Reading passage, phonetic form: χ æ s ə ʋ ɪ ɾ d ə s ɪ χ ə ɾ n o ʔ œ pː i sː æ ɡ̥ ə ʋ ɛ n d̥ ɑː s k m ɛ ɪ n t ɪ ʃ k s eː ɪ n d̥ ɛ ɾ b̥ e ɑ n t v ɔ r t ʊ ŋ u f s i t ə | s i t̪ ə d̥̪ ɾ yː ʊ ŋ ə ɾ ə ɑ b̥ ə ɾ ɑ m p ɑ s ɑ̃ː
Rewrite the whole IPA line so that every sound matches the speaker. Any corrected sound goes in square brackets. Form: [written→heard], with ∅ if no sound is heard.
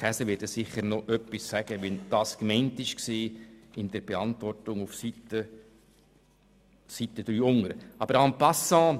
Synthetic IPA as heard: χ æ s ə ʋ ɪ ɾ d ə s ɪ χ ə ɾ n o ʔ œ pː i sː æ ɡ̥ ə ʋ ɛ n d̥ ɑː s k m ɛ ɪ n t ɪ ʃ k s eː ɪ n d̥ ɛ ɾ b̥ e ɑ n t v ɔ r t ʊ ŋ u f s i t ə | s i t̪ ə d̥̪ ɾ yː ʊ ŋ ə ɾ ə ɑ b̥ ə ɾ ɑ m p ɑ s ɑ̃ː